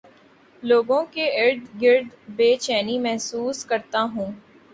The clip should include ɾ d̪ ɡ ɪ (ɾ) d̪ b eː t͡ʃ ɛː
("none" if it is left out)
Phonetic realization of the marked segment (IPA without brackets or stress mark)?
ɾ